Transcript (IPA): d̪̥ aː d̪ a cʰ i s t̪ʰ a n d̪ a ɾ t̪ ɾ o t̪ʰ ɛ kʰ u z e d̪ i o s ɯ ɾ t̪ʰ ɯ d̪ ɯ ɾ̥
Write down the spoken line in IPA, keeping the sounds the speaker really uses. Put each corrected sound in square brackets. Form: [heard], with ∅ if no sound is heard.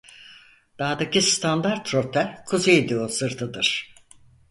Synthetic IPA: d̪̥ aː d̪ a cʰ i s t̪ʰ a n d̪ a ɾ t̪ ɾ o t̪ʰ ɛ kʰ u z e d̪ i o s ɯ ɾ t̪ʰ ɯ d̪ ɯ ɾ̥